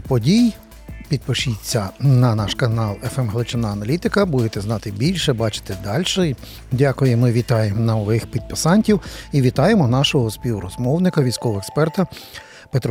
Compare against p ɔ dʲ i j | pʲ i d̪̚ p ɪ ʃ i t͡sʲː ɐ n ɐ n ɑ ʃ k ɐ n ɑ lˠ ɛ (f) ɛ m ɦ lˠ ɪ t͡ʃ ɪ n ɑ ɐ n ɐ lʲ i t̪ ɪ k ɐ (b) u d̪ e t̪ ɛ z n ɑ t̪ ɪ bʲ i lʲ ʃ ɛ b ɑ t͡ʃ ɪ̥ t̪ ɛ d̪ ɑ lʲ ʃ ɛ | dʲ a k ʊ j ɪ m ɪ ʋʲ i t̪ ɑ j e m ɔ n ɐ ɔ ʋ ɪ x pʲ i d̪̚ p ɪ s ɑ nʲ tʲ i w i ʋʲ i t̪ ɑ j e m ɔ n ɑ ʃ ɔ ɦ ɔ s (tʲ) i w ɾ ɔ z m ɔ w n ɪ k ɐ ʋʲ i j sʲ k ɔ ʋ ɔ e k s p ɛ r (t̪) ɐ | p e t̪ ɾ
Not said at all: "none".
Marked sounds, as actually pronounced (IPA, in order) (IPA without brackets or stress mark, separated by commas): f, b, pʲ, t̪